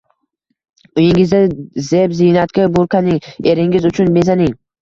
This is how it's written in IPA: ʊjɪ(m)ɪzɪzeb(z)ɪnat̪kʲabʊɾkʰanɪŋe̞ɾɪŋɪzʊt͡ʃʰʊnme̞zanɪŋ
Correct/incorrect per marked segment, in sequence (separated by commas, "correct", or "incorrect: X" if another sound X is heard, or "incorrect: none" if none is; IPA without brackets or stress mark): incorrect: ŋ, correct